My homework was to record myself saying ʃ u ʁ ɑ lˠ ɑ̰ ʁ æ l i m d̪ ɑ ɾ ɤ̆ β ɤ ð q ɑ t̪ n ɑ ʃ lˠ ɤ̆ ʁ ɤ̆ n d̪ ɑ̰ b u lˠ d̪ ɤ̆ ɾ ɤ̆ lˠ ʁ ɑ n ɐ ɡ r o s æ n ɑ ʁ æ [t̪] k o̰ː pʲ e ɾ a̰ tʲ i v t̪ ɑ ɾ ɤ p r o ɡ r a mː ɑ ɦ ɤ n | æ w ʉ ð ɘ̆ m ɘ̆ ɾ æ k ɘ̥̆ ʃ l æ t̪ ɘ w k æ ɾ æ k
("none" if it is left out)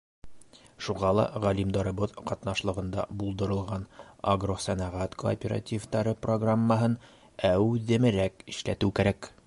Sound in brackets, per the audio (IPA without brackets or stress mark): t̪